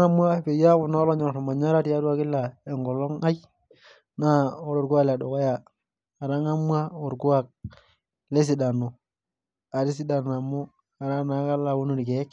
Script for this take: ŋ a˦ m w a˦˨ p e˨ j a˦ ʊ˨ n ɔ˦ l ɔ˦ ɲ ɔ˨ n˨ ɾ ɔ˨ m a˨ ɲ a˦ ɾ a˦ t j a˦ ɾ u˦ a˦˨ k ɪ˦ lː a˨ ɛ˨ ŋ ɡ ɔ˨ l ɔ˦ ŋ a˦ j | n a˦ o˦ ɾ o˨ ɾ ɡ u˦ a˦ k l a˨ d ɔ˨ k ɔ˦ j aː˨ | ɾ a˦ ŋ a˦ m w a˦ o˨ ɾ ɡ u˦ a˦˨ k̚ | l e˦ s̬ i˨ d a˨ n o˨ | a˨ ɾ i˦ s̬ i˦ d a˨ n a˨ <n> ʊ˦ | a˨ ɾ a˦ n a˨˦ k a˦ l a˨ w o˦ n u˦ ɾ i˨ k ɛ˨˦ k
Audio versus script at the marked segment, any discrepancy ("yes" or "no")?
yes